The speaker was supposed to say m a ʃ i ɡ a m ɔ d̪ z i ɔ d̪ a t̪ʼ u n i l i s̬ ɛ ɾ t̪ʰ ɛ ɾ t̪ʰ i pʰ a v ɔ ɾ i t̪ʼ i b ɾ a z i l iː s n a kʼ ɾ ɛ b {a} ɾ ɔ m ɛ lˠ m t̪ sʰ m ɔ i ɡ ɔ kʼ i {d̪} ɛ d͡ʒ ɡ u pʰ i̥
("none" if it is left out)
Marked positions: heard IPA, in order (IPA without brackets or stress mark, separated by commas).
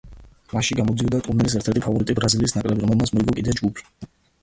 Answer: i, d̪